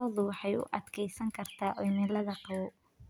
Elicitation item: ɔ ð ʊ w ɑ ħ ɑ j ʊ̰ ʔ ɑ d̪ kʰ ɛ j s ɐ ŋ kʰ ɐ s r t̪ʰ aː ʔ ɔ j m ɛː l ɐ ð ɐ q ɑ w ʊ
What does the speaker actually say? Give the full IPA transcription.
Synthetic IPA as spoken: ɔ ð ʊ w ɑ ħ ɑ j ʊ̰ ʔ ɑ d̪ kʰ ɛ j s ɐ ŋ kʰ ɐ r t̪ʰ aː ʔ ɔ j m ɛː l ɐ ð ɐ q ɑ w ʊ